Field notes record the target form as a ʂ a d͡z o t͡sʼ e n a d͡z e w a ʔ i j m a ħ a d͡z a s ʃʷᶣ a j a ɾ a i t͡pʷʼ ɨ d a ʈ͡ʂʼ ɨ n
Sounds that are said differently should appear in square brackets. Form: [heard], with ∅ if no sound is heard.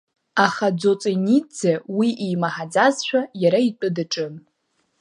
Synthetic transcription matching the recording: a [χ] a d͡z o t͡sʼ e n [i] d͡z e w [i] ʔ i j m a ħ a d͡z a [z] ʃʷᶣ a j a ɾ a i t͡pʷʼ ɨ d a ʈ͡ʂʼ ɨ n